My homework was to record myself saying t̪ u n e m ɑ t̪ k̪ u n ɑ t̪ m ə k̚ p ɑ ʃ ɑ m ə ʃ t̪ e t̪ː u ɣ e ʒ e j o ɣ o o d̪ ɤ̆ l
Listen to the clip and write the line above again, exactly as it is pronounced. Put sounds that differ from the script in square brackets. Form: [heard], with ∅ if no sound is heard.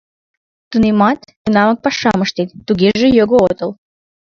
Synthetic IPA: t̪ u n e m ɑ t̪ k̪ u n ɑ [∅] m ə k̚ p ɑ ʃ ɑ m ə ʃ t̪ e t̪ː u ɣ e ʒ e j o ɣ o o [t̪] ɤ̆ l